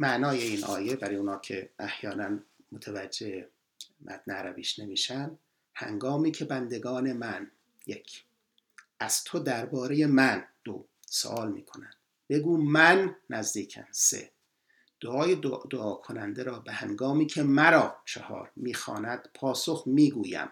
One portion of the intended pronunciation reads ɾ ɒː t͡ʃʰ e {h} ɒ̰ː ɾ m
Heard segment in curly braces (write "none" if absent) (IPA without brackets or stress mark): h